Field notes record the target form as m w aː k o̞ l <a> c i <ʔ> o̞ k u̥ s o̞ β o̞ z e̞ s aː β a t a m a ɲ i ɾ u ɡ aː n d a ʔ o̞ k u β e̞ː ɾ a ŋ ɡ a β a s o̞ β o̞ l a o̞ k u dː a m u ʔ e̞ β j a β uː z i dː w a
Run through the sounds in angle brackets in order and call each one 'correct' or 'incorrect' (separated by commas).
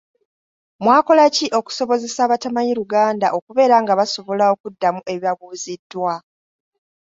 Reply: correct, correct